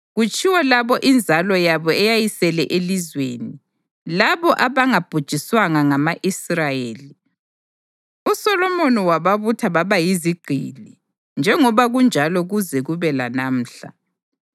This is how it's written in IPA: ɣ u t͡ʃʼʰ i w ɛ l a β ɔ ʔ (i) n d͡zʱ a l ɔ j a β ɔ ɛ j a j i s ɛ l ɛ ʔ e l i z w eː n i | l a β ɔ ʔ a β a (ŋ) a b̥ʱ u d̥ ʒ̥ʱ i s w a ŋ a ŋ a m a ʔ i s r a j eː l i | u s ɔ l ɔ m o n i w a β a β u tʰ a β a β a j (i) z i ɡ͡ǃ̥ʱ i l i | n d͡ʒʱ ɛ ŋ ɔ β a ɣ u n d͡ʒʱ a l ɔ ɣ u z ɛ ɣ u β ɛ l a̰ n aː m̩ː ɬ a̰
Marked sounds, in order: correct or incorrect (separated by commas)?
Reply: correct, correct, correct